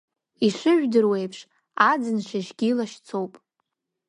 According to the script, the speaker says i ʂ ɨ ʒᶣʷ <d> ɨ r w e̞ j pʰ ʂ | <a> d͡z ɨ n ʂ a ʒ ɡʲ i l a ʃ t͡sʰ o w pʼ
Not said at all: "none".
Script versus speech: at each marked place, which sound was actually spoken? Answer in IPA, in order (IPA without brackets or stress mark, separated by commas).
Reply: d, a